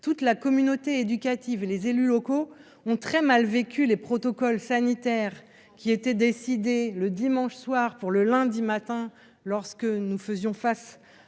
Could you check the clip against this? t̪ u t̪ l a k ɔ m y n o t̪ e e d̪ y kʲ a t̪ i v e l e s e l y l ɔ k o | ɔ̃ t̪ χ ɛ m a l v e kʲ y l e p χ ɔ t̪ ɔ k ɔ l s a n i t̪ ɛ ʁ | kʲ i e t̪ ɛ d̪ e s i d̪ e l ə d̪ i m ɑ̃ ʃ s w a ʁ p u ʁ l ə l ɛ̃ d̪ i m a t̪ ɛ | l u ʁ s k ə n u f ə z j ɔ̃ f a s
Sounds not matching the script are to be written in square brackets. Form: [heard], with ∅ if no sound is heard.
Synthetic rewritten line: t̪ u t̪ l a k ɔ m y n o t̪ e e d̪ y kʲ a t̪ i v e l e [z] e l y l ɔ k o | ɔ̃ t̪ χ ɛ m a l v e kʲ y l e p χ ɔ t̪ ɔ k ɔ l s a n i t̪ ɛ ʁ | kʲ i e t̪ ɛ d̪ e s i d̪ e l ə d̪ i m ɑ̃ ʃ s w a ʁ p u ʁ l ə l ɛ̃ d̪ i m a t̪ [ɛ̃] | l [ɔ] ʁ s k ə n u f ə z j ɔ̃ f a s